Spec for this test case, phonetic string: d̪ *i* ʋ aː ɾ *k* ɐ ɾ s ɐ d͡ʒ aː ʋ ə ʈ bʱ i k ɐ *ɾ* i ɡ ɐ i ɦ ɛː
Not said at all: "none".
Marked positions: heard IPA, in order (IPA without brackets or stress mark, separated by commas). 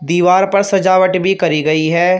iː, p, ɾ